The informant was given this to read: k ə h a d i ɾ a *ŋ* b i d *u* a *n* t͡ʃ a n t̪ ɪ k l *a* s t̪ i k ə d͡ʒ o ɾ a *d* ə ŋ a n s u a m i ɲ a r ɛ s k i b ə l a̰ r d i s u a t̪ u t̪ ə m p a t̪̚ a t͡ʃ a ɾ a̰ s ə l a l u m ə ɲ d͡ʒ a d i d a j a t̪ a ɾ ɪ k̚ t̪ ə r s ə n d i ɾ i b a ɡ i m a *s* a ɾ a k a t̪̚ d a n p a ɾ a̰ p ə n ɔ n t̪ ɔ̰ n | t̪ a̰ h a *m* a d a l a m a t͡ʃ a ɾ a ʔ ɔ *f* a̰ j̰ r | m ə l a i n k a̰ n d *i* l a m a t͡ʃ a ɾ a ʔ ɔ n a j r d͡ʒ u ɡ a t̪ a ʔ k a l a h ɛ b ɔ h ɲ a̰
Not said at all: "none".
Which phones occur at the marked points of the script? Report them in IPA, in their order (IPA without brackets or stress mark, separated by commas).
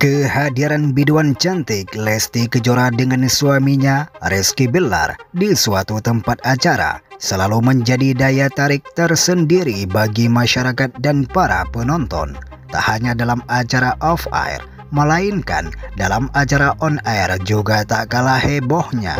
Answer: n, u, n, ɛ, d, ʃ, ɲ, f, a